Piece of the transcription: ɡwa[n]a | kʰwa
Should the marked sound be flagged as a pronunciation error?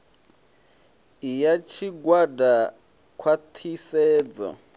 yes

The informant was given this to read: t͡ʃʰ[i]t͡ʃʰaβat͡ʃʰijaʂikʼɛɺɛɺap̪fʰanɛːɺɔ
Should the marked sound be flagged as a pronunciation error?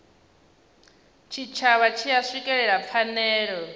no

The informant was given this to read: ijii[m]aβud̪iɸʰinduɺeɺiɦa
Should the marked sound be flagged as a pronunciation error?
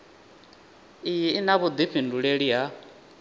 yes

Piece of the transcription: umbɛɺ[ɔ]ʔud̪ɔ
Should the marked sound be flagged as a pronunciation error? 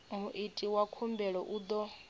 no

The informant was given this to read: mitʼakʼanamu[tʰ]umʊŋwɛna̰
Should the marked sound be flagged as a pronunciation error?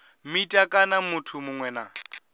no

